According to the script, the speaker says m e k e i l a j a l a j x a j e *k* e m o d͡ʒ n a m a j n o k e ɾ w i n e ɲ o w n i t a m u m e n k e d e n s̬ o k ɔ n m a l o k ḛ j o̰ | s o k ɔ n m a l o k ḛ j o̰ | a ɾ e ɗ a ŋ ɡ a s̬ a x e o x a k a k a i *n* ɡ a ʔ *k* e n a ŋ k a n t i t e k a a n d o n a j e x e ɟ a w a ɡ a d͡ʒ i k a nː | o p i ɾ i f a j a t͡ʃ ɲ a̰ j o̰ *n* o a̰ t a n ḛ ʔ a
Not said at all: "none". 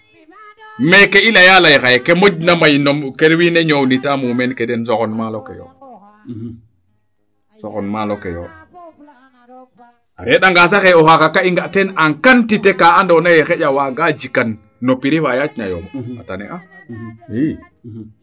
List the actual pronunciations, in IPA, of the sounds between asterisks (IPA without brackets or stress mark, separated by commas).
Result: k, ŋ, t, m